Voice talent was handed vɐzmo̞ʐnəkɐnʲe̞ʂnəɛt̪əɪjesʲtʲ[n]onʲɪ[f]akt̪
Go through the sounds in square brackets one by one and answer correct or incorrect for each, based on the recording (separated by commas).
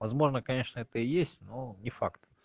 correct, correct